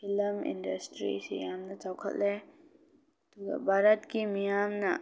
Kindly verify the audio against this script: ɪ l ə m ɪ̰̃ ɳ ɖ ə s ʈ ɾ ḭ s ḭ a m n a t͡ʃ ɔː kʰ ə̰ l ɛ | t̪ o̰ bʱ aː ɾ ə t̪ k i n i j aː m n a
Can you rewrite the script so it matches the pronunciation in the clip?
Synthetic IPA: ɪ l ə m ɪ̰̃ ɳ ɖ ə s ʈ ɾ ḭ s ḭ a m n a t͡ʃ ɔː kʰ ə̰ l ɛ | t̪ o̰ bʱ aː ɾ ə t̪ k i m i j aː m n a